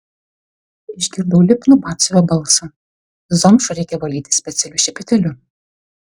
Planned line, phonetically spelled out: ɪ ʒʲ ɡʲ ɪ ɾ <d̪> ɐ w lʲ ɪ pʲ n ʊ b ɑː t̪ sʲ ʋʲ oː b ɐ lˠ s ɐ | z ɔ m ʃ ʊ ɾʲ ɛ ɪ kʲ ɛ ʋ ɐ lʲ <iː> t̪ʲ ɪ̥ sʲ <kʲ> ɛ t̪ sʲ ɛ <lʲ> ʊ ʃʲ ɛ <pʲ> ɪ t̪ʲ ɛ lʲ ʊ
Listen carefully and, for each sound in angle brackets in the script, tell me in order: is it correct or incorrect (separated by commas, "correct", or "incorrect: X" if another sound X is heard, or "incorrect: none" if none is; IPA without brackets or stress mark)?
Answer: correct, correct, incorrect: pʲ, correct, correct